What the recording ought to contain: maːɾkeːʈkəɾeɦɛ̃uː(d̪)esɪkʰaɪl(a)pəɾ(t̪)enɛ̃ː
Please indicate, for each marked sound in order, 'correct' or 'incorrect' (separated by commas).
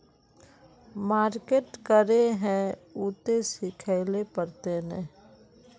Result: incorrect, incorrect, correct